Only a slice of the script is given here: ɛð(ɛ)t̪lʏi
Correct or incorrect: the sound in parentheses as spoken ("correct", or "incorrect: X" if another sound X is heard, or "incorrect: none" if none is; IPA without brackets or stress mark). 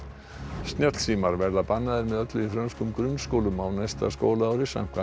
incorrect: œ